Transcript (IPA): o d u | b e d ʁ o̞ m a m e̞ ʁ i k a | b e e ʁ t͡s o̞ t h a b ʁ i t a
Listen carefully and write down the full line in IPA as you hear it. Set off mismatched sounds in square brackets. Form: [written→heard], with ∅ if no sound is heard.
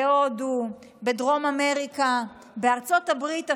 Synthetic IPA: o d u | b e d ʁ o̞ m a m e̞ ʁ i k a | b e [e→a] ʁ t͡s o̞ t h a b ʁ i t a

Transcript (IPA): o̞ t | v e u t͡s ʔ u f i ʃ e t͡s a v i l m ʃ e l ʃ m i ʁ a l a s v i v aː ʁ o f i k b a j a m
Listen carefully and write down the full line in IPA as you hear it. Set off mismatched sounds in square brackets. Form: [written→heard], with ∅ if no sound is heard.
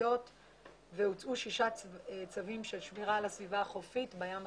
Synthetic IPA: o̞ t | v e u t͡s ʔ u [f→ʃ] i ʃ [e→a] t͡s a v i [l→∅] m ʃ e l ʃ m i ʁ a l a s v i v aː [ʁ→χ] o f i [k→t] b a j a m

